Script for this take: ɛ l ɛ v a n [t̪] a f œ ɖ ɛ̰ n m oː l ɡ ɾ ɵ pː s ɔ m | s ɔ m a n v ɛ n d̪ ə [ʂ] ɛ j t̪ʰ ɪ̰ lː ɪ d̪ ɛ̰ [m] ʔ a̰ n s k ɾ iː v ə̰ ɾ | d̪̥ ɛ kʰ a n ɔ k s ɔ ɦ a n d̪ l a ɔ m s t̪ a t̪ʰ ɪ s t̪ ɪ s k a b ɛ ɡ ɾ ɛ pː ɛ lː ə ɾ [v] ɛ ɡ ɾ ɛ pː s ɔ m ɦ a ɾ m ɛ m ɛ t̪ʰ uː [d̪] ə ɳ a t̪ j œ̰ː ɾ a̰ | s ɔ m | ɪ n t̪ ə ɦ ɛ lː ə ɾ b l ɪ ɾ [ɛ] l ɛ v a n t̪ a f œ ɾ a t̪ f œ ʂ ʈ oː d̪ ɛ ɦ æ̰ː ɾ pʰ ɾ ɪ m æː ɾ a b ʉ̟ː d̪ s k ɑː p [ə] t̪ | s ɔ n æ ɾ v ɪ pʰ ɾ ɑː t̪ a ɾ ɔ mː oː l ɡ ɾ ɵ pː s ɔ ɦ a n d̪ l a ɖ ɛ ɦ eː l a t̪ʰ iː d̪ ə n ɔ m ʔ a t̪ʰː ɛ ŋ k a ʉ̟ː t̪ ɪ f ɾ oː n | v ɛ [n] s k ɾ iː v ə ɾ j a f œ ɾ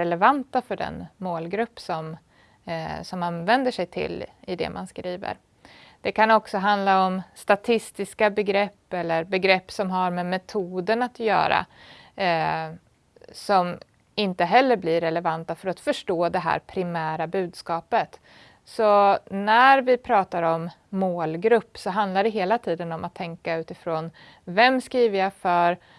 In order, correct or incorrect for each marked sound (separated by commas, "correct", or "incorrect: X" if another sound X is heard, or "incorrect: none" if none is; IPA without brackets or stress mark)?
correct, correct, correct, incorrect: b, correct, correct, correct, incorrect: m